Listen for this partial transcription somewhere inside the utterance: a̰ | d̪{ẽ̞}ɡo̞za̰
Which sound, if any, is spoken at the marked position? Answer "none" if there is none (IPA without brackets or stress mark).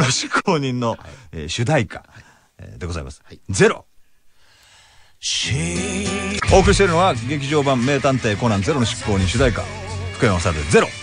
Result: e̞